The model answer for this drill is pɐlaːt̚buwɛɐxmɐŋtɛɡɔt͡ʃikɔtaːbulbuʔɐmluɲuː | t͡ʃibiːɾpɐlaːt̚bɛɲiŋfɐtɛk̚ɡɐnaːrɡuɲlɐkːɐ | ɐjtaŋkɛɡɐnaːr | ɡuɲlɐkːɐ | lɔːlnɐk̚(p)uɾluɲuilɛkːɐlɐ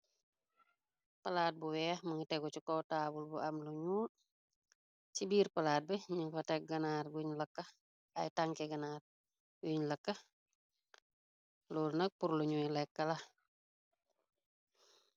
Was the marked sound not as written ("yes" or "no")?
no